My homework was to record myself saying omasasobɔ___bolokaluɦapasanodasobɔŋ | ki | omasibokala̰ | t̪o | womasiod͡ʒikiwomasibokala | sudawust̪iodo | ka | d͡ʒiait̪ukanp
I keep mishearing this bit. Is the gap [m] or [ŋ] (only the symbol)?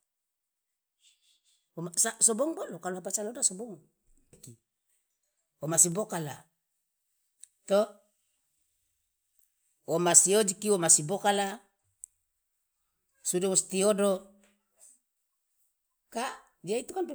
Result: ŋ